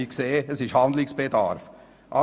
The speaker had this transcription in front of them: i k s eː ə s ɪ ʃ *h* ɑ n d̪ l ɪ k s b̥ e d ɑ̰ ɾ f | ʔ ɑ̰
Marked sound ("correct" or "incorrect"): correct